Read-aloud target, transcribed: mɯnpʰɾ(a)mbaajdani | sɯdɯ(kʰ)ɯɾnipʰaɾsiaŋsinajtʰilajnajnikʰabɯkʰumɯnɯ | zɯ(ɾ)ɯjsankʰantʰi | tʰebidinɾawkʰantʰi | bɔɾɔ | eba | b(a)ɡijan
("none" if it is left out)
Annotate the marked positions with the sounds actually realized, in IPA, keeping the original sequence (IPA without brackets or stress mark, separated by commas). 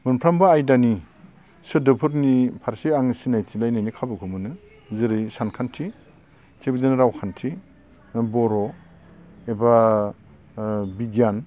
a, pʰ, ɾ, i